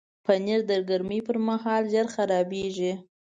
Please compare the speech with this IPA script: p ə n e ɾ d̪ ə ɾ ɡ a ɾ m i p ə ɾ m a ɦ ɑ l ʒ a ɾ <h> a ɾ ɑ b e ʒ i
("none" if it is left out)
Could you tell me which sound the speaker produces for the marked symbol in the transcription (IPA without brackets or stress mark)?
x